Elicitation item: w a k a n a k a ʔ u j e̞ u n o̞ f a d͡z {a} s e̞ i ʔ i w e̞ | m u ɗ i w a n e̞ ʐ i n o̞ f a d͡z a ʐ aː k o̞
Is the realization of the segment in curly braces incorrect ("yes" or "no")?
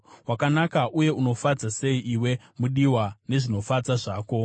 no